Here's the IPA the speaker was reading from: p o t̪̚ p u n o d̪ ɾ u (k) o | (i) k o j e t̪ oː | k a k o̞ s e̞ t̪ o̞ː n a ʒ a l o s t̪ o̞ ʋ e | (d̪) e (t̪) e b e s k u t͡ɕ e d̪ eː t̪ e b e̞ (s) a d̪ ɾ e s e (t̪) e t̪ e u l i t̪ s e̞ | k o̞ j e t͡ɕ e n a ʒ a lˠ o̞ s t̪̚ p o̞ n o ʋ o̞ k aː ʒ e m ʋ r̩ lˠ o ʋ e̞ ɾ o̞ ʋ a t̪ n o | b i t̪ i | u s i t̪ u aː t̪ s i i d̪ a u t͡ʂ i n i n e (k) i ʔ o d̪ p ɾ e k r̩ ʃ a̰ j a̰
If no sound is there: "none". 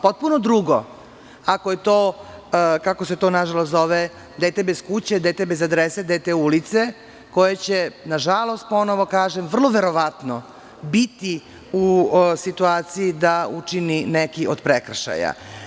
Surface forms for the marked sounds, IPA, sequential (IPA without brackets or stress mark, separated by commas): ɡ, a, d̪, t̪, z, d̪, k